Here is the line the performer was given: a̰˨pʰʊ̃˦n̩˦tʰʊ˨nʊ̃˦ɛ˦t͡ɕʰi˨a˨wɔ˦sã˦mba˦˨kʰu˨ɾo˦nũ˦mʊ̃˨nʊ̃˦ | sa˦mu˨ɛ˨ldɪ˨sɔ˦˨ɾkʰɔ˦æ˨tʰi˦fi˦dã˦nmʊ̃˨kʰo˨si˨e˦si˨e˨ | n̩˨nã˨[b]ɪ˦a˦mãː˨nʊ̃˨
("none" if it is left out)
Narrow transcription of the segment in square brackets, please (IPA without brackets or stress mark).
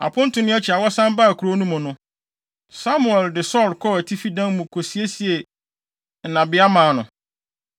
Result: b